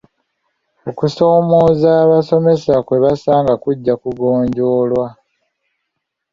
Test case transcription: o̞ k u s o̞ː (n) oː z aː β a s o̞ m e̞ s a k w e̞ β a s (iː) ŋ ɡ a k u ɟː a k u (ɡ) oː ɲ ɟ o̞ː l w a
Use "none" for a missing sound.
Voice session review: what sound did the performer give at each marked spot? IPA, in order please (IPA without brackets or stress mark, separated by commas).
m, aː, ɡ